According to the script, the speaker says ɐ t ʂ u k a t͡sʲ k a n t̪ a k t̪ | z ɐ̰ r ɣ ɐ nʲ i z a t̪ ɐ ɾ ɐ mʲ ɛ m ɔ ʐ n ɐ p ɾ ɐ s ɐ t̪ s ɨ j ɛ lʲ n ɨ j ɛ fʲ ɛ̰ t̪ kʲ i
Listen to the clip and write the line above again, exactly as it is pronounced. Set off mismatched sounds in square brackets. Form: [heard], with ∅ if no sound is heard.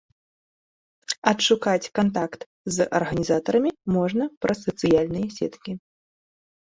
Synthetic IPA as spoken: ɐ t ʂ u k a t͡sʲ k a n t̪ a k t̪ | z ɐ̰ r ɣ ɐ nʲ i z a t̪ ɐ ɾ ɐ mʲ [i] m ɔ ʐ n ɐ p ɾ ɐ s ɐ t̪ s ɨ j [a] lʲ n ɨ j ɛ [sʲ] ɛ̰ t̪ kʲ i